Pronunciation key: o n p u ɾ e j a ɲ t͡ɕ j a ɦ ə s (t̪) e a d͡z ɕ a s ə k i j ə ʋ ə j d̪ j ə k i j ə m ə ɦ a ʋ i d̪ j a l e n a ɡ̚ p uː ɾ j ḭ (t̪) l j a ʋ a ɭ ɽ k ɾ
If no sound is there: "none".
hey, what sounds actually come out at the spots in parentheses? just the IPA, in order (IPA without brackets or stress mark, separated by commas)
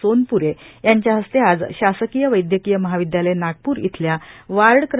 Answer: t̪, t̪ʰ